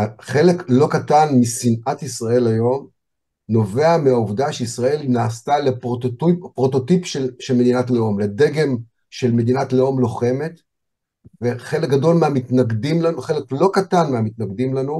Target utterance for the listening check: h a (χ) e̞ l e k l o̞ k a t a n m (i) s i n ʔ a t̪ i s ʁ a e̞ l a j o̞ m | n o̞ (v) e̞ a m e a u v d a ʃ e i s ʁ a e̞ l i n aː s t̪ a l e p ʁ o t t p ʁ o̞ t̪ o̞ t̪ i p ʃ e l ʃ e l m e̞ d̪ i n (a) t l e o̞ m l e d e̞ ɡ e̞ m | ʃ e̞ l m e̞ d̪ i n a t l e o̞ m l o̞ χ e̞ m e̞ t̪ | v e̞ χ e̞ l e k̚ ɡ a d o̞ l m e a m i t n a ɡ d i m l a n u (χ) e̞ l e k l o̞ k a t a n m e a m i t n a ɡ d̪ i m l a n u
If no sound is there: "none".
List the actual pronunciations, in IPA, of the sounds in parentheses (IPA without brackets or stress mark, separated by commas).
χ, i, v, a, χ